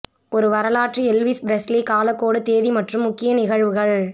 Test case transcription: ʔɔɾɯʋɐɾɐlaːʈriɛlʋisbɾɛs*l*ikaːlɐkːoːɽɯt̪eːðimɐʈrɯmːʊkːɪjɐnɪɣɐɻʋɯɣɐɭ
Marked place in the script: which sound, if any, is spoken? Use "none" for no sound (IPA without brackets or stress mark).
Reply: l